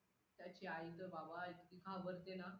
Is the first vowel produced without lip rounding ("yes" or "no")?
yes